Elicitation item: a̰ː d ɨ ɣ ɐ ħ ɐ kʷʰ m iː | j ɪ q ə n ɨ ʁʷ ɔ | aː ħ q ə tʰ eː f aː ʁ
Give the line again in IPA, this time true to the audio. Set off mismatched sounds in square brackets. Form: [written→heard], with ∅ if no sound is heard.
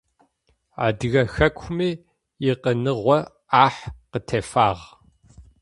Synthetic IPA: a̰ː d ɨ ɣ ɐ [ħ→x] ɐ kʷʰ m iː | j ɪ q ə n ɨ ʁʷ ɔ | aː ħ q ə tʰ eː f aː ʁ